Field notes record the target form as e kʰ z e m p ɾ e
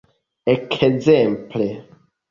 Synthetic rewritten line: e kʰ z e m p l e

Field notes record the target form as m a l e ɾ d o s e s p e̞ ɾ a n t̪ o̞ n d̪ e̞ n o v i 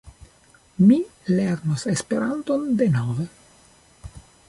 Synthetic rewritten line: m i l e ɾ n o s e s p e̞ ɾ a n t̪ o̞ n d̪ e̞ n o v e

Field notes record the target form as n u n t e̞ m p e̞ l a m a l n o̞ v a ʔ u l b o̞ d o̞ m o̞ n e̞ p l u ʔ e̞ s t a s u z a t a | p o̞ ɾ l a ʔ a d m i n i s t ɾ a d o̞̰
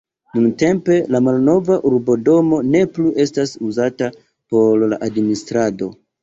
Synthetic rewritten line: n u n t e̞ m p e̞ l a m a l n o̞ v a ʔ u ɾ b o̞ d o̞ m o̞ n e̞ p l u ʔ e̞ s t a s u z a t a | p o̞ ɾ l a ʔ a d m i n i s t ɾ a d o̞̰

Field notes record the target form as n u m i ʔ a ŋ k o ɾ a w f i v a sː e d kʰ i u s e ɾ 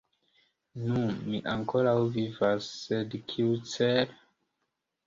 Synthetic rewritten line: n u m i ʔ a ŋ k o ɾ a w v i v a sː e d kʰ i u t͡s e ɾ

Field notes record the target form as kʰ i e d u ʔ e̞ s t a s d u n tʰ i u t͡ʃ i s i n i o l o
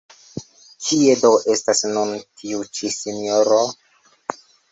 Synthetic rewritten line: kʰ i e d o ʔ e̞ s t a s n u n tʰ i u t͡ʃ i s i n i o ɾ o

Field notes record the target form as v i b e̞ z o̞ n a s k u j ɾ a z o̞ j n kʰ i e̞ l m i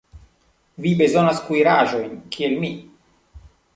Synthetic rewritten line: v i b e̞ z o̞ n a s k u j ɾ a ʒ o̞ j n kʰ i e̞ l m i

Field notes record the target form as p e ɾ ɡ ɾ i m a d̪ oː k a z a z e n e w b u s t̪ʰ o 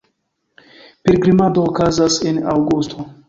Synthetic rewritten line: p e ɾ ɡ ɾ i m a d̪ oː k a z a s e n a w ɡ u s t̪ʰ o

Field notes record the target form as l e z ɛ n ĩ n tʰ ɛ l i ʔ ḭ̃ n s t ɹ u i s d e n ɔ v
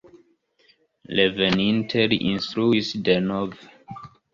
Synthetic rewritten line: l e v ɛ n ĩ n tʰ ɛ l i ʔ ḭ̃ n s t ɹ u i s d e n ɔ v

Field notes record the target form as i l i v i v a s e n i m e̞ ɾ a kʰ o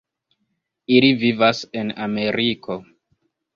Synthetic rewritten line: i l i v i v a s e n a m e̞ ɾ i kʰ o

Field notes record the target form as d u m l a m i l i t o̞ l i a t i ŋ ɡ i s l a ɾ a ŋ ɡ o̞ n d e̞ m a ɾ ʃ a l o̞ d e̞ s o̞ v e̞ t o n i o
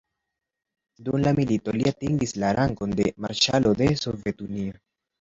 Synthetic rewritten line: d u m l a m i l i t o̞ l i a t i ŋ ɡ i s l a ɾ a ŋ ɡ o̞ n d e̞ m a ɾ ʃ a l o̞ d e̞ s o̞ v e̞ t u n i o

